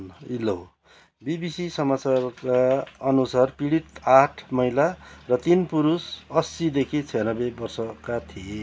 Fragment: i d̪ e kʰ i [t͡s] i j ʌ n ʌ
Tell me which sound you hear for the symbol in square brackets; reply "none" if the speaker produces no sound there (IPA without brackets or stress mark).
t͡sʰ